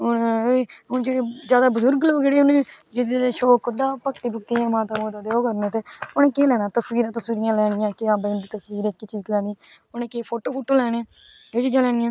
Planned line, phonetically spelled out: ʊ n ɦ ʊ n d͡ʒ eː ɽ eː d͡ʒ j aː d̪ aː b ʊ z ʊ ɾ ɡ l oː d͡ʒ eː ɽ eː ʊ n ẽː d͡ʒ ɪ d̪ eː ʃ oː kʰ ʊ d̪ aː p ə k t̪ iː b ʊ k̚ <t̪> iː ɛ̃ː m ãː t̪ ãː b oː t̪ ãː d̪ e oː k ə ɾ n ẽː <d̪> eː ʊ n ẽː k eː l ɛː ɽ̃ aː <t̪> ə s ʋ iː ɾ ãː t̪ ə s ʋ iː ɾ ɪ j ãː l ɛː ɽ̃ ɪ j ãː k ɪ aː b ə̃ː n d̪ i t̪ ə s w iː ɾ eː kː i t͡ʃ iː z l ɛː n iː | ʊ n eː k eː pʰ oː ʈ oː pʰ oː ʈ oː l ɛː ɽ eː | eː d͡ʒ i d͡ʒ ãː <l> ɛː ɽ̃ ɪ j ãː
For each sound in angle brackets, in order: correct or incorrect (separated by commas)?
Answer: correct, incorrect, correct, correct